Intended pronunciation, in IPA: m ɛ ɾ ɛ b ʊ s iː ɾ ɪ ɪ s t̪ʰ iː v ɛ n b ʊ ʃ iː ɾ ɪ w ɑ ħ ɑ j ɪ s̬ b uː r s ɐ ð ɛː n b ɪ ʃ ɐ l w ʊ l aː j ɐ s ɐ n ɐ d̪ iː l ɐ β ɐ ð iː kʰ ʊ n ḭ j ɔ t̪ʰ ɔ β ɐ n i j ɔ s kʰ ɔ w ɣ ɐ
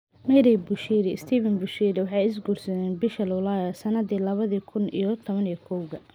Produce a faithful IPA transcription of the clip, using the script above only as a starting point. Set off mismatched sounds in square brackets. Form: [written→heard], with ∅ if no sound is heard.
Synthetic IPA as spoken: m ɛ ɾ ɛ b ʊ [s→ʃ] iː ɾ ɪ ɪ s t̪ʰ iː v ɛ n b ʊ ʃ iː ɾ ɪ w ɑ ħ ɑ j ɪ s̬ [b→ɡ] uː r s ɐ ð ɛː n b ɪ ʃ ɐ l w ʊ l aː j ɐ s ɐ n ɐ d̪ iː l ɐ β ɐ ð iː kʰ ʊ n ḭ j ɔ t̪ʰ ɔ β ɐ n i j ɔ [s→∅] kʰ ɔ w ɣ ɐ